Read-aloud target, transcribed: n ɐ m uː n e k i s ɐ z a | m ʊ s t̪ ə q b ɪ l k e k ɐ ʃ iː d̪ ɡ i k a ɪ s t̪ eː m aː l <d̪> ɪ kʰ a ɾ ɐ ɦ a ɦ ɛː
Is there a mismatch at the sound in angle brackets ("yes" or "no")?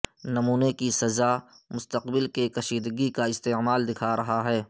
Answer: no